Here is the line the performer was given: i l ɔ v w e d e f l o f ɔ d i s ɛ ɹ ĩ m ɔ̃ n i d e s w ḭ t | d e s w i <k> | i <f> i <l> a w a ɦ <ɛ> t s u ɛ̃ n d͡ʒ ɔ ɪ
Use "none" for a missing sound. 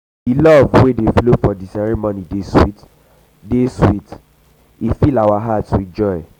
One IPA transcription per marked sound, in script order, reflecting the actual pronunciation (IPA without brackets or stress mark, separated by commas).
t, f, l, a